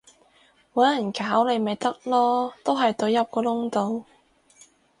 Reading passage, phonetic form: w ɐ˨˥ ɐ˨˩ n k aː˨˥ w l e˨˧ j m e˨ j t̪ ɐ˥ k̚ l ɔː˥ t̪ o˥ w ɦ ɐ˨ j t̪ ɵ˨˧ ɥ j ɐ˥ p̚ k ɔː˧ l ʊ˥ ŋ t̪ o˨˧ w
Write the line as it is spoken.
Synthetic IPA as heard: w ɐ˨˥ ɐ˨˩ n k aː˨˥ w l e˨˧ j m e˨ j t̪ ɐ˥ k̚ l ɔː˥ t̪ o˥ w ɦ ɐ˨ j t̪ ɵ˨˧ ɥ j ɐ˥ p̚ k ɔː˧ l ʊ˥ ŋ t̪ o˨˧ w